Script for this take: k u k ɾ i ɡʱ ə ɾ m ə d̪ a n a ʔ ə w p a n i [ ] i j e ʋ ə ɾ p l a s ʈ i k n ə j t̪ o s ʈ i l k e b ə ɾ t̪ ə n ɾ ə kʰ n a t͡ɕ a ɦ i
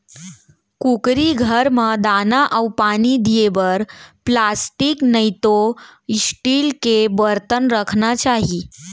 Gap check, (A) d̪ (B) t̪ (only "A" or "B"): A